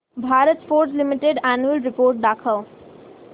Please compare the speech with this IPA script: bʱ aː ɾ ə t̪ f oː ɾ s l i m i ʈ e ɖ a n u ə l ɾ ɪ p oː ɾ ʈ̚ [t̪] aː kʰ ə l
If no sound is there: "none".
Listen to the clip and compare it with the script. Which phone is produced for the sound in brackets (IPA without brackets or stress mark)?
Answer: d̪